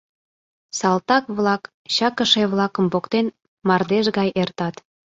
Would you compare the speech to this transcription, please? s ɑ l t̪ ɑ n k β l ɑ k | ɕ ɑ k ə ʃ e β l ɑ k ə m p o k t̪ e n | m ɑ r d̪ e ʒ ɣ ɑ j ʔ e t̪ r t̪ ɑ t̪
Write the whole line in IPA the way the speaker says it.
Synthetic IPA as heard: s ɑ l t̪ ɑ k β l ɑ k | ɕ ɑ k ə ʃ e β l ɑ k ə m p o k t̪ e n | m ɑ r d̪ e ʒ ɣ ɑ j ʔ e r t̪ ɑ t̪